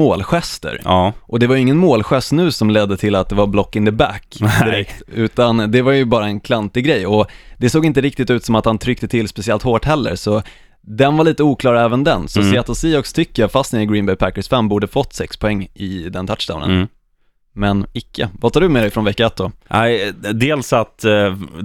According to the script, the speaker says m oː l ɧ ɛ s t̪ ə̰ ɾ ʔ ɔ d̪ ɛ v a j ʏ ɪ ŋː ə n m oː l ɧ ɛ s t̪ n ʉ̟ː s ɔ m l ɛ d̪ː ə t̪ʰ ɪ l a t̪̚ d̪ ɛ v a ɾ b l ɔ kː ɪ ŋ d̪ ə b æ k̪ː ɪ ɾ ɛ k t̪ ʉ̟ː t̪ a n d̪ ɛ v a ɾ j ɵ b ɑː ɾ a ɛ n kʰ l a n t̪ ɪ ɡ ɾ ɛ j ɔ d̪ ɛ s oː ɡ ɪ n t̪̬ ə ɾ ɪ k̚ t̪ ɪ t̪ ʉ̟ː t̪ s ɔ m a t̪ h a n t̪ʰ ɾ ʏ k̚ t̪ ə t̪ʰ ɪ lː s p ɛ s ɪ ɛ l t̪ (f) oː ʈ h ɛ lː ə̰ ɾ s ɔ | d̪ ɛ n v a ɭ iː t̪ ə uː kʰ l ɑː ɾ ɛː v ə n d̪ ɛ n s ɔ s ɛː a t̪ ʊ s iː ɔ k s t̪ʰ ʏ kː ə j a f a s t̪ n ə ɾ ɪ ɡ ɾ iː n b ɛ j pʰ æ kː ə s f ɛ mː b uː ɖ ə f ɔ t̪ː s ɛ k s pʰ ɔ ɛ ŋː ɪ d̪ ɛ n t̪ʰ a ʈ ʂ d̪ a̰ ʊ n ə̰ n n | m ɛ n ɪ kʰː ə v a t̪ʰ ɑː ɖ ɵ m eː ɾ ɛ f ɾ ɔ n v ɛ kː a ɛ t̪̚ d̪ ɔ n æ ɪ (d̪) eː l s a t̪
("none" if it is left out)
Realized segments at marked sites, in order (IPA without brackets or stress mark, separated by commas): h, d̪